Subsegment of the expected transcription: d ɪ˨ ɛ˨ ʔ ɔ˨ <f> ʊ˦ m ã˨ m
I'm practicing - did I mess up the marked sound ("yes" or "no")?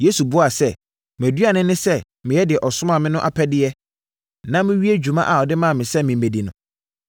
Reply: yes